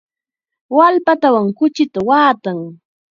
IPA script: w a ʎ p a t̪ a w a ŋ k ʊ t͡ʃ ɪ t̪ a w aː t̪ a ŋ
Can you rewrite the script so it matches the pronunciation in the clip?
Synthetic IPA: w a l p a t̪ a w a ŋ k ʊ t͡ʃ ɪ t̪ a w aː t̪ a ŋ